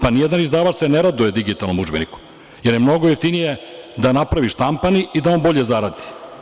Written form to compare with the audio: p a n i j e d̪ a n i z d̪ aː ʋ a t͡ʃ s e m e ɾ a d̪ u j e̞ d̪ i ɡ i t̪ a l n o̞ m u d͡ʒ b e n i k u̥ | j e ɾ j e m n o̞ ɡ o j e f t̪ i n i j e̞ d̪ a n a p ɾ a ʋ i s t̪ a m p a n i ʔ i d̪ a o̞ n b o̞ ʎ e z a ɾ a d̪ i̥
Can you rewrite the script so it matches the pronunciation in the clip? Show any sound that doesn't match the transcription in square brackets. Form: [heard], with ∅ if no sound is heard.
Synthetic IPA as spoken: p a n i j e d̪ a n i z d̪ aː ʋ a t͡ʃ s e [n] e ɾ a d̪ u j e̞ d̪ i ɡ i t̪ a l n o̞ m u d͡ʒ b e n i k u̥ | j e ɾ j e m n o̞ ɡ o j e f t̪ i n i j e̞ d̪ a n a p ɾ a ʋ i [ʃ] t̪ a m p a n i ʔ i d̪ a o̞ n b o̞ ʎ e z a ɾ a d̪ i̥